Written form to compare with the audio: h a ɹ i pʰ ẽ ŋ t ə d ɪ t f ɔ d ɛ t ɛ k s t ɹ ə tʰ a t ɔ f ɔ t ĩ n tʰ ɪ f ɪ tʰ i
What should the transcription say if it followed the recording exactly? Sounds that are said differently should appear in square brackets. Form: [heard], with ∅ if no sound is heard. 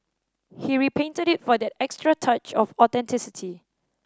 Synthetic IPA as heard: h [i] ɹ i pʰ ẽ [n] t ə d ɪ t f ɔ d ɛ t ɛ k s t ɹ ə tʰ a [t͡ʃ] ɔ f ɔ t [ɛ̃] n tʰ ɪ [s] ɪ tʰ i